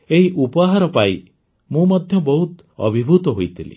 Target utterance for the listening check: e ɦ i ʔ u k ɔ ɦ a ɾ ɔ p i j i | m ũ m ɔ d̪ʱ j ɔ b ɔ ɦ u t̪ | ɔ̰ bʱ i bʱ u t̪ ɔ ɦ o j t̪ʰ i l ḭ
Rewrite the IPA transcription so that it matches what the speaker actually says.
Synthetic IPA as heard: e ɦ i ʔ u p ɔ ɦ a ɾ ɔ p a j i | m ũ m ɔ d̪ʱ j ɔ b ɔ ɦ u t̪ | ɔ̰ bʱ i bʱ u t̪ ɔ ɦ o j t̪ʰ i l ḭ